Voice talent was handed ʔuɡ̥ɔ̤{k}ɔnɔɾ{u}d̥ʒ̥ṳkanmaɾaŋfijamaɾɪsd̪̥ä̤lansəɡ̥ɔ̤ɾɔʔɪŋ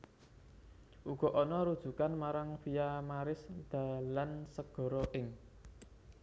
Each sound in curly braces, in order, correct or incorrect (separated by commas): incorrect, correct